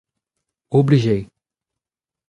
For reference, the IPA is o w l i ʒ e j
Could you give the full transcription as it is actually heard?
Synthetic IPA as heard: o b l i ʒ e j